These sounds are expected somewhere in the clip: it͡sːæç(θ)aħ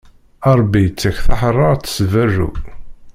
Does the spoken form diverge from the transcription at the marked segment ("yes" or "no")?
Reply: no